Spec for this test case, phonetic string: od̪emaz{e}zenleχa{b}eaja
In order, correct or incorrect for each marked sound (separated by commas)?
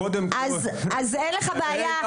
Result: incorrect, correct